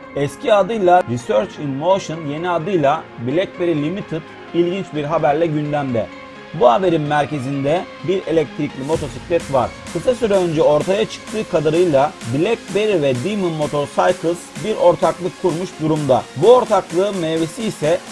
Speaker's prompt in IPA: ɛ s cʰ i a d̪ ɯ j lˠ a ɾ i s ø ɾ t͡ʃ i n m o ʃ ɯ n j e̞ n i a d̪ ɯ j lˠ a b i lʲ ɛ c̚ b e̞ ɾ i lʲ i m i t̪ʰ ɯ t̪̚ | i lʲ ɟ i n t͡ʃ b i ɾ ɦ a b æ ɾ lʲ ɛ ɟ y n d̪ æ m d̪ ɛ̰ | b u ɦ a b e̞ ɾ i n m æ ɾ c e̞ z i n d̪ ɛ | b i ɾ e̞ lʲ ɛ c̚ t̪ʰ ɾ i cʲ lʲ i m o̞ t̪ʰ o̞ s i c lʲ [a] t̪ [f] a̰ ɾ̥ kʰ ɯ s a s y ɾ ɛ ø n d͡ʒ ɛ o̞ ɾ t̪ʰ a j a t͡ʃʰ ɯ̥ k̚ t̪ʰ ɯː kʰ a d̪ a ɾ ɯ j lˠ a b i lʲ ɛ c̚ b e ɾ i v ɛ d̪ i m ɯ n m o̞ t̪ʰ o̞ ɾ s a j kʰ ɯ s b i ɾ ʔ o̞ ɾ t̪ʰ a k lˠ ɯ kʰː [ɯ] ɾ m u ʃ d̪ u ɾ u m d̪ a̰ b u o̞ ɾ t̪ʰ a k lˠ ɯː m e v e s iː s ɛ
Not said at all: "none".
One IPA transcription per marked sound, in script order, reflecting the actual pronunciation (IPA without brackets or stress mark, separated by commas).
ɛ, v, u